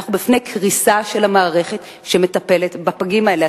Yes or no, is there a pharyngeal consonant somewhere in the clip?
no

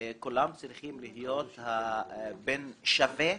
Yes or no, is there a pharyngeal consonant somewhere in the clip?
no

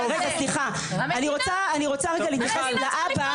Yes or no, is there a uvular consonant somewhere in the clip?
yes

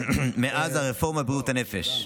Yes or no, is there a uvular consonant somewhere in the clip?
yes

